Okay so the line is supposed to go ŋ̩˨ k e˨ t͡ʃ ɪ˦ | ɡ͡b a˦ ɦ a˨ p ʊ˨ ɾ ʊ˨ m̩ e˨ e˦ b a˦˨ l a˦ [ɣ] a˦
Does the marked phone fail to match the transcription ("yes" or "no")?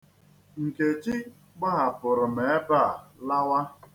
yes